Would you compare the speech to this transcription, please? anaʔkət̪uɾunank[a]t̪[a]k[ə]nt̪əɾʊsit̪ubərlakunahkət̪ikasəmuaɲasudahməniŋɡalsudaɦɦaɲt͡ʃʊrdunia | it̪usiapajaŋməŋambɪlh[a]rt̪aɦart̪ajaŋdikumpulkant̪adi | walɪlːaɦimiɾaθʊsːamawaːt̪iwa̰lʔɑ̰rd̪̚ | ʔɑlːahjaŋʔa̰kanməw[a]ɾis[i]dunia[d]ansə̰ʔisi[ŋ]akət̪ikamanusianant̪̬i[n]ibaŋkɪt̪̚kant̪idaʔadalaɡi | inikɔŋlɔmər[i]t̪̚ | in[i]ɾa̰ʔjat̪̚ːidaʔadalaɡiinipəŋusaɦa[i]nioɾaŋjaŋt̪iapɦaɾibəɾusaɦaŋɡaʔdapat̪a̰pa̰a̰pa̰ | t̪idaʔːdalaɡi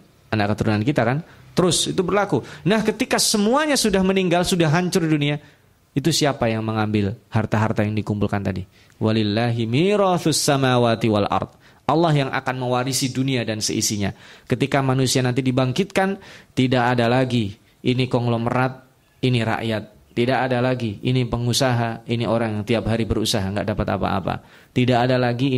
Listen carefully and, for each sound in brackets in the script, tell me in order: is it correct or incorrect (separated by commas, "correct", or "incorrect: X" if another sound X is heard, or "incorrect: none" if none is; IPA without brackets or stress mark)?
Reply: incorrect: i, correct, incorrect: a, correct, correct, correct, correct, incorrect: ɲ, incorrect: d, incorrect: a, correct, correct